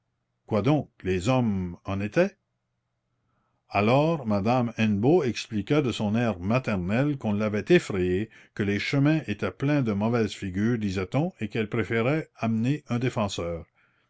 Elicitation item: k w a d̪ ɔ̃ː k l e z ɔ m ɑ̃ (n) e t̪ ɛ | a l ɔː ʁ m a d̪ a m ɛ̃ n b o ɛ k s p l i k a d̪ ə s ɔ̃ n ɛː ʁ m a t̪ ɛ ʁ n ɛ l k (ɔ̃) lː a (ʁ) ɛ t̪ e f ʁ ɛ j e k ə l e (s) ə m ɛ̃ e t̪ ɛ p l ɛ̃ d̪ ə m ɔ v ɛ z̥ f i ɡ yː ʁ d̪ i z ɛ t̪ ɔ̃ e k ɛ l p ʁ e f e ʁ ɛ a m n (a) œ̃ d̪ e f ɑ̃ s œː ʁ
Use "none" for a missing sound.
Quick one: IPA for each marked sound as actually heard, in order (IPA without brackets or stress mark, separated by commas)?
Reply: n, ɔ̃, v, ʃ, e